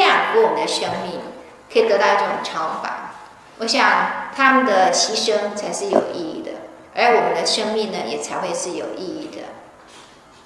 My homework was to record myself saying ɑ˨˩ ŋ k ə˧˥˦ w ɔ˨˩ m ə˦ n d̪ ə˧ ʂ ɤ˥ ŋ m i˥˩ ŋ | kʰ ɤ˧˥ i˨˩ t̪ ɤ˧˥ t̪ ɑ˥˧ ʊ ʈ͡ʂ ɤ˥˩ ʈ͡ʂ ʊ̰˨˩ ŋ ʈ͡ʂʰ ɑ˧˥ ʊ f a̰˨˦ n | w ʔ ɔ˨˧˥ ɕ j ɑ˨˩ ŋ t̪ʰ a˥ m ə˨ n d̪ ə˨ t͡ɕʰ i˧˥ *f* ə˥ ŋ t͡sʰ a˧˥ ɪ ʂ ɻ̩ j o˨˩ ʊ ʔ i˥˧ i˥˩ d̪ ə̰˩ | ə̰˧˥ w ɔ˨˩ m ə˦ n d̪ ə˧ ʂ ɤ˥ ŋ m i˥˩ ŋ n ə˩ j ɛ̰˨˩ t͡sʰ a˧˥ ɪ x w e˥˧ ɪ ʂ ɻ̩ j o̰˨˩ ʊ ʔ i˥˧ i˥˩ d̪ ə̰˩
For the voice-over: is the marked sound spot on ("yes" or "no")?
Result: no